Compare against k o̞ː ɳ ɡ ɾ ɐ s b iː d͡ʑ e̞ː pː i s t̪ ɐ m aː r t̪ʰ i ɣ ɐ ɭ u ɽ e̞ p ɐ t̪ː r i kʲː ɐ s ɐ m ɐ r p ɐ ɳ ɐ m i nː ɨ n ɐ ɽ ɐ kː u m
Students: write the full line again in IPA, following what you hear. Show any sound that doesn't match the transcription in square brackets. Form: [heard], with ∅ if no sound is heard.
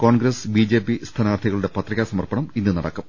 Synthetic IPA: k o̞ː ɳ ɡ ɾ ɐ s b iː d͡ʑ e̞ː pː i s [t̪ʰ] ɐ [n] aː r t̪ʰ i ɣ ɐ ɭ u ɽ e̞ p ɐ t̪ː r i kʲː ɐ s ɐ m ɐ r p ɐ ɳ ɐ m i nː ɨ n ɐ ɽ ɐ kː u m